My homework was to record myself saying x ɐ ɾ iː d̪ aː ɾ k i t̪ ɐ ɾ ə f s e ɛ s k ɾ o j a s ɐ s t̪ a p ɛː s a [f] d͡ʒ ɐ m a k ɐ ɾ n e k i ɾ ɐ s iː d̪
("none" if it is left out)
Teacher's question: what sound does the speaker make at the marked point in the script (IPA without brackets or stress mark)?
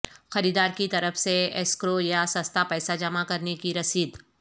none